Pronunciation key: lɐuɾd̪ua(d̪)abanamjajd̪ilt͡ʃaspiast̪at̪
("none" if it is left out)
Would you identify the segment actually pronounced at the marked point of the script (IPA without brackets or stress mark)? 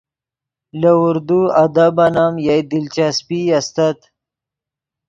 d̪